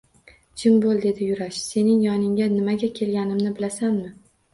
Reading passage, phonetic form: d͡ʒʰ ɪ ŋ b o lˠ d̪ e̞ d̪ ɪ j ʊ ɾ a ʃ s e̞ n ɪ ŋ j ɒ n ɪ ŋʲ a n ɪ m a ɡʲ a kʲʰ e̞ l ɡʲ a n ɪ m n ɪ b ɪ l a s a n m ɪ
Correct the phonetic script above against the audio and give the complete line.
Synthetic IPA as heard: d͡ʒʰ ɪ m b o lˠ d̪ e̞ d̪ ɪ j ʊ ɾ a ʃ s e̞ n ɪ ŋ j ɒ n ɪ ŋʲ a n ɪ m a ɡʲ a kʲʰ e̞ l ɡʲ a n ɪ m n ɪ b ɪ l a s a n m ɪ